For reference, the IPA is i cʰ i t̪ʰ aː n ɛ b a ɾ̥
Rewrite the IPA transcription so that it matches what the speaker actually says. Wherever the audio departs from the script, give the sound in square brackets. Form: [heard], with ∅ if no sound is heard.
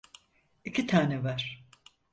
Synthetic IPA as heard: i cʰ i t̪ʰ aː n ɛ [v] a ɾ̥